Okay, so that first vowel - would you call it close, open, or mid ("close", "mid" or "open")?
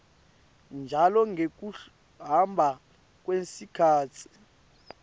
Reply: open